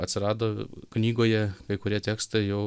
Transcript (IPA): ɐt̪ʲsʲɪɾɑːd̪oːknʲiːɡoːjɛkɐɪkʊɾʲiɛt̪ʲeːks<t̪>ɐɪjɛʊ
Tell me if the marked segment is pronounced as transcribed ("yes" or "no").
yes